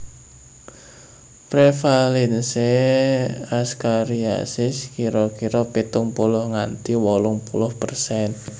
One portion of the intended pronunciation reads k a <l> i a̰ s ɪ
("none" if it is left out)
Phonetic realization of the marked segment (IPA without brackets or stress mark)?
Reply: ɾ